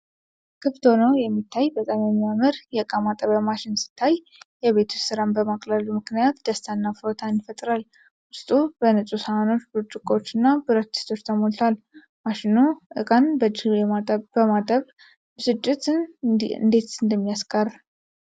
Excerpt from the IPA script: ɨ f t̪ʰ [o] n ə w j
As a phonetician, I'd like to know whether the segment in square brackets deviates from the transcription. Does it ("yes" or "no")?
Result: no